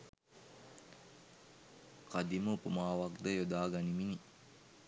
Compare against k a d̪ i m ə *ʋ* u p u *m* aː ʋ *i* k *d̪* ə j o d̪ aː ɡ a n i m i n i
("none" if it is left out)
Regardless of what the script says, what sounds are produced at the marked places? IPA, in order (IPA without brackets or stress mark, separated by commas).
none, m, a, d̪